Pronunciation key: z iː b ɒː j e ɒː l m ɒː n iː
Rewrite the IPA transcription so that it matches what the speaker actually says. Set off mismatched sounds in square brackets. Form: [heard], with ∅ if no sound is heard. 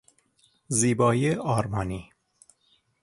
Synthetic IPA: z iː b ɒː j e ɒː [ɾ] m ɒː n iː